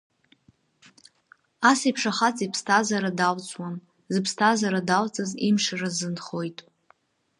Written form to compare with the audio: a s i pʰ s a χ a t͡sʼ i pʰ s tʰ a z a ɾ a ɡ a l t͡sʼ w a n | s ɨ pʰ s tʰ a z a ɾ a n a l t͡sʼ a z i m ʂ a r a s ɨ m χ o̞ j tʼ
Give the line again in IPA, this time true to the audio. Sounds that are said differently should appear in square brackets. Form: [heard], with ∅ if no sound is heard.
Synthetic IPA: a s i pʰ [ʂ] a χ a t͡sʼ i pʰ s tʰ a z a ɾ a [d] a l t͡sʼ w a n | [z] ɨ pʰ s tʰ a z a ɾ a [d] a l t͡sʼ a z i m ʂ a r a [z] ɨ [n] χ o̞ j tʼ